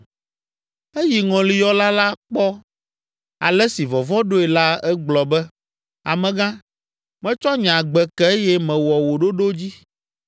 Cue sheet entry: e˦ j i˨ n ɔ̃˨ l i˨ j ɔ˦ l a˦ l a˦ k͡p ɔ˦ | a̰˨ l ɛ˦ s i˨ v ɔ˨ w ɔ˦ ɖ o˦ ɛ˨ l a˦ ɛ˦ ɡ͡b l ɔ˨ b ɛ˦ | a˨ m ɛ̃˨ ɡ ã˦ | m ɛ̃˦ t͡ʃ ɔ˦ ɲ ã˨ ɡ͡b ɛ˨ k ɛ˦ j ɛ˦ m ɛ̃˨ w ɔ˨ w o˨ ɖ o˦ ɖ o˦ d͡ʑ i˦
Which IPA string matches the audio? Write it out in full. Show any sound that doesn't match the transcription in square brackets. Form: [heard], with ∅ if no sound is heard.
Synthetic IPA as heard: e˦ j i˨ [ŋ] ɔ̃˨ l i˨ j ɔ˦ l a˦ l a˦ k͡p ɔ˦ | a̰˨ l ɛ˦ s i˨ v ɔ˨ [v] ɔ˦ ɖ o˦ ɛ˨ l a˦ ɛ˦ ɡ͡b l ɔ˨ b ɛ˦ | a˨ m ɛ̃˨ ɡ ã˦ | m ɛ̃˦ t͡ʃ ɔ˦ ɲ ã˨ ɡ͡b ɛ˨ k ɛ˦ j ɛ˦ m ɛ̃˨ w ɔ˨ w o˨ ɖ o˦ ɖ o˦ d͡ʑ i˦